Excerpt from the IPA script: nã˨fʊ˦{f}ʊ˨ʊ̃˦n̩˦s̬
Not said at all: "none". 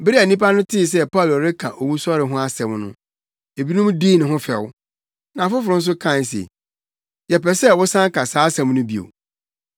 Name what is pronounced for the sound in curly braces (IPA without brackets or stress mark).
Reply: f